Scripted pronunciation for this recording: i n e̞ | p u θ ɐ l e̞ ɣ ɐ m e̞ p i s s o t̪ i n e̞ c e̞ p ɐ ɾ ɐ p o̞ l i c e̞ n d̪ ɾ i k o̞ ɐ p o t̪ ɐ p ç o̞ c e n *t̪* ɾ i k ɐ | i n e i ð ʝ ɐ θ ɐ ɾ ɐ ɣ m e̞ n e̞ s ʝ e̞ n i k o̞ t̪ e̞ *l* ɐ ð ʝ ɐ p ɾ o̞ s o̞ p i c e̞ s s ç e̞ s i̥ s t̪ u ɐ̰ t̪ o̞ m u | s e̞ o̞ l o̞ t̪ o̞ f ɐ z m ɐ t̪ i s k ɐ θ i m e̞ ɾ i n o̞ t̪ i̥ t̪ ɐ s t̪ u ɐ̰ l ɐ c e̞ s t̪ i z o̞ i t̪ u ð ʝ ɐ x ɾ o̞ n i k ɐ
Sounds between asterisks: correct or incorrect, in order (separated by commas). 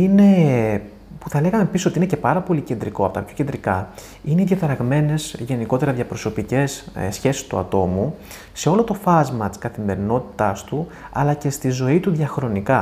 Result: incorrect, incorrect